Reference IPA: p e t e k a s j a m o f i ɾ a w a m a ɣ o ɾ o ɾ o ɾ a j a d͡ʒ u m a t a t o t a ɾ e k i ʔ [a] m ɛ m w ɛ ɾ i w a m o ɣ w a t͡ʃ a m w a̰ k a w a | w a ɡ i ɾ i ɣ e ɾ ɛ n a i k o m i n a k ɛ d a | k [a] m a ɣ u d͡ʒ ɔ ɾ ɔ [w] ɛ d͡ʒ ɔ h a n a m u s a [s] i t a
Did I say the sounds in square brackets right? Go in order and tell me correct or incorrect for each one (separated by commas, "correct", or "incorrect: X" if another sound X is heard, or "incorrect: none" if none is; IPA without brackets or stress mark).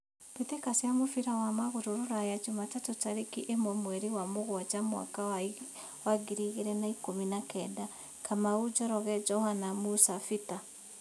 incorrect: e, correct, incorrect: ɣ, incorrect: f